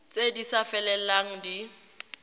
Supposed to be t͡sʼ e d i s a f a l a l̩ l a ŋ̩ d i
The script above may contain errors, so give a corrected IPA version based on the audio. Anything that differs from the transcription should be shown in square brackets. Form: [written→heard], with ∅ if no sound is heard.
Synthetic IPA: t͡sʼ e d i s a f [a→ɛ] l [a→ɛ] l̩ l a ŋ̩ d i